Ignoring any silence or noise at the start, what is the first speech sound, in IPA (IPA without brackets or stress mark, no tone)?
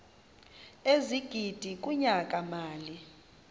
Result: e